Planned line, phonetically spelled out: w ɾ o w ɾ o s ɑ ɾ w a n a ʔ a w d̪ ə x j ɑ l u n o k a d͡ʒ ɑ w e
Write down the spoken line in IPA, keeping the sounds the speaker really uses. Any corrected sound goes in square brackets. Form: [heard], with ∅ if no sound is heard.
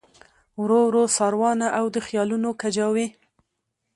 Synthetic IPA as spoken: w ɾ o w ɾ o s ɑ ɾ w [ɑ] n a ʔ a w d̪ ə x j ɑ l u n o k a d͡ʒ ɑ w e